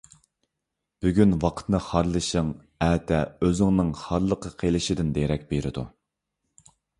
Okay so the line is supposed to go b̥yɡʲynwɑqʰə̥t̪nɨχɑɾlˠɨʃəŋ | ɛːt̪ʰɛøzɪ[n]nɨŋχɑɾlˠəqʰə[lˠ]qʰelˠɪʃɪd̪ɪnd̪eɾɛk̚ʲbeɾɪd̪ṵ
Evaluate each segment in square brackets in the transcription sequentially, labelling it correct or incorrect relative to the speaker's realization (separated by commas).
incorrect, incorrect